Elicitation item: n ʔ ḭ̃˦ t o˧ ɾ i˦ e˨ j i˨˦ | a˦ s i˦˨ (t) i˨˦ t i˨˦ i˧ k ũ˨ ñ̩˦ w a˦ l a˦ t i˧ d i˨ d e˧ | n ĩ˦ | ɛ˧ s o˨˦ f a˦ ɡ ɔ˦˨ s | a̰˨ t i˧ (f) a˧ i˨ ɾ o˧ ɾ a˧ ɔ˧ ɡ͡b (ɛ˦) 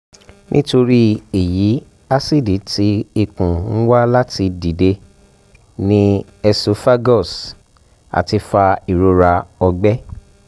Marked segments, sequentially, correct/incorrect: incorrect, correct, correct

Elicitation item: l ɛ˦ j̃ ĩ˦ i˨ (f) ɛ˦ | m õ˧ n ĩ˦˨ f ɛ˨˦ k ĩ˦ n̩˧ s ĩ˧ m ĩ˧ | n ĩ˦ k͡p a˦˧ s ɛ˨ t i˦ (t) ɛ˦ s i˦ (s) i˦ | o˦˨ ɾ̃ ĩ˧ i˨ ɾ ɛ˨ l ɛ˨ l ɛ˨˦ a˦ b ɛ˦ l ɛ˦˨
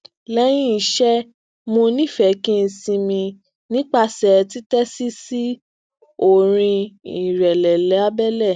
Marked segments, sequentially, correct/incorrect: incorrect, correct, correct

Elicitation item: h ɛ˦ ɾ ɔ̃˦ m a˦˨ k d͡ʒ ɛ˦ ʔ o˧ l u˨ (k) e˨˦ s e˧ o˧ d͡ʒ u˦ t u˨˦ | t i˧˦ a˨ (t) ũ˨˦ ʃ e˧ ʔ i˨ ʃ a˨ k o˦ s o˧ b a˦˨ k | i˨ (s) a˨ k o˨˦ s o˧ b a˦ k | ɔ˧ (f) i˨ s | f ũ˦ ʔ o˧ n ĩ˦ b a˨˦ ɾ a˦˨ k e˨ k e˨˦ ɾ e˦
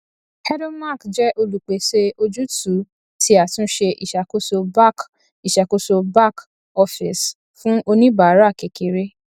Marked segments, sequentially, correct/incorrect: incorrect, correct, incorrect, correct

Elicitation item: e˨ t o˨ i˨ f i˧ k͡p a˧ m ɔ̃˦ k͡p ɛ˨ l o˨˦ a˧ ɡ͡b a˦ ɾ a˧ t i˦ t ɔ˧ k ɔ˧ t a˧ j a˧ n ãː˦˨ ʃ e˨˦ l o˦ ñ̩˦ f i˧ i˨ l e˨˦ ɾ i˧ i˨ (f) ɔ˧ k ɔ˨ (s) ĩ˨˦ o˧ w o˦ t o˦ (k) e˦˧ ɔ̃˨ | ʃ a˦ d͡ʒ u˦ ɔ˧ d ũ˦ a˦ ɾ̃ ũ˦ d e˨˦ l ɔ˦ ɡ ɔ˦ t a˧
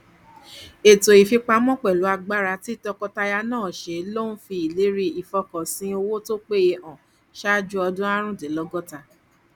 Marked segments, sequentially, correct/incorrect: correct, correct, incorrect

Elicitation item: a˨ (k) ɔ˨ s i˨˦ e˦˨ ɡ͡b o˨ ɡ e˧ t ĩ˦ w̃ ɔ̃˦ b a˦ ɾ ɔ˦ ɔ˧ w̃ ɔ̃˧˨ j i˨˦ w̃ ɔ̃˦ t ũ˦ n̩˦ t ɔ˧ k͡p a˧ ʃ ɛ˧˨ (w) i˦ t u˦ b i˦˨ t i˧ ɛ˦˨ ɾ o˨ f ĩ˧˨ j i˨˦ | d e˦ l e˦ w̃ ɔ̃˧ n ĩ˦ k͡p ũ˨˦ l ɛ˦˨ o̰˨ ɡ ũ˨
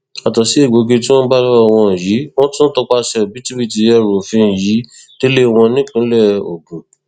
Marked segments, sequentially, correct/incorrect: incorrect, incorrect

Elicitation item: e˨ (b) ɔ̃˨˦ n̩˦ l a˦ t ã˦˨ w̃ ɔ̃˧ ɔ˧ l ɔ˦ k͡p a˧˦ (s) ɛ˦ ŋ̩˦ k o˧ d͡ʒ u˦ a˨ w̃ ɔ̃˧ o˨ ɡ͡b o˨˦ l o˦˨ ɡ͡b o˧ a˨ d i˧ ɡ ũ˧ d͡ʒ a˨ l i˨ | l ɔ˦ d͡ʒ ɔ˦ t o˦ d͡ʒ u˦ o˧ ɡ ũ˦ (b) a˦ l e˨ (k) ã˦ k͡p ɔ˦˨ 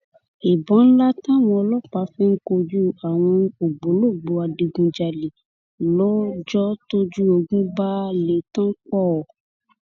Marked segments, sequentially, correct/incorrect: correct, incorrect, correct, incorrect

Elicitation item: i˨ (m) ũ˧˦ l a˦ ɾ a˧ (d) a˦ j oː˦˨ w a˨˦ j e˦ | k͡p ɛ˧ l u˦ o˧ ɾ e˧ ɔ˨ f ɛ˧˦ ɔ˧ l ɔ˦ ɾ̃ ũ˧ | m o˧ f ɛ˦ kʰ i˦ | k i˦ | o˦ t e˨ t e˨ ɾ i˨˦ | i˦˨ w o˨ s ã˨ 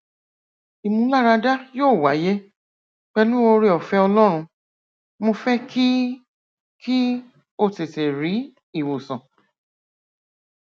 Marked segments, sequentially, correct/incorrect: correct, correct

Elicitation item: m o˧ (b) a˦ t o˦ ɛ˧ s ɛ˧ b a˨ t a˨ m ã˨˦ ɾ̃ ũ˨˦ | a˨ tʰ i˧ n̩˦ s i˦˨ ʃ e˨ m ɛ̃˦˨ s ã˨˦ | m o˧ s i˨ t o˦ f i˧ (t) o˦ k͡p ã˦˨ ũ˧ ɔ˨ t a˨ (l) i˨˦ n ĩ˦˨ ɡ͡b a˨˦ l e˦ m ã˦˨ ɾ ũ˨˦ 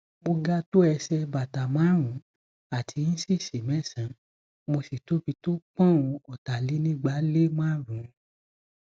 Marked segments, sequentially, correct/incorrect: incorrect, correct, correct

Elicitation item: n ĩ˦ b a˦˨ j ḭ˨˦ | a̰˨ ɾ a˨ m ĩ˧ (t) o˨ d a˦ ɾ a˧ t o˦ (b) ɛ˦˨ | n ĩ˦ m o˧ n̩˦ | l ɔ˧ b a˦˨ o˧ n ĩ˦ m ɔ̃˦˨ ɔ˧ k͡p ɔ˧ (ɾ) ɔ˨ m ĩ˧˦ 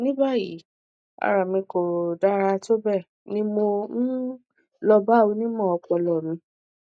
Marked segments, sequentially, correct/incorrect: incorrect, correct, incorrect

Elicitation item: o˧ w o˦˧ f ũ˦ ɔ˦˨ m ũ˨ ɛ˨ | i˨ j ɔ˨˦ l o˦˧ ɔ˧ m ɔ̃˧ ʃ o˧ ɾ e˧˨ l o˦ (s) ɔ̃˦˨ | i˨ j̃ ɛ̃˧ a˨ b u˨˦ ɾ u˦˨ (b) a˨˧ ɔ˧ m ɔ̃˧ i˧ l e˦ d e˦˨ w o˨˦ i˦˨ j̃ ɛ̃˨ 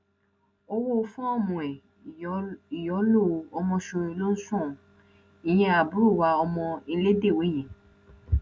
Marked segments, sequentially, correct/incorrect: correct, incorrect

